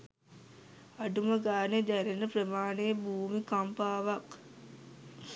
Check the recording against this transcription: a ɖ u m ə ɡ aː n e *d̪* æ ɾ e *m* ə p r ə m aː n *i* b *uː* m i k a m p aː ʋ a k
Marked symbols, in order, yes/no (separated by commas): yes, no, no, yes